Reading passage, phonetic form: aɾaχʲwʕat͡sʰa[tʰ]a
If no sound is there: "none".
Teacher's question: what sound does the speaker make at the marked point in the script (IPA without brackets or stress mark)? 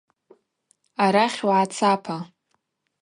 pʰ